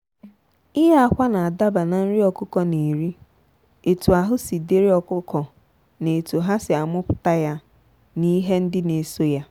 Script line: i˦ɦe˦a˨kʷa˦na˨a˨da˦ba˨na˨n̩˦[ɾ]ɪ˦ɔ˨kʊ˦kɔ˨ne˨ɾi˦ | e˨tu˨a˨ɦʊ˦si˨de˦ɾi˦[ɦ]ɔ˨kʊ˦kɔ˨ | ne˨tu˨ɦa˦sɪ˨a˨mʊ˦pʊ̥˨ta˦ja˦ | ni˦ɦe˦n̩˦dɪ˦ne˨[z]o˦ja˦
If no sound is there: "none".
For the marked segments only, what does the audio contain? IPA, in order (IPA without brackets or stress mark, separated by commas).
ɾ, none, s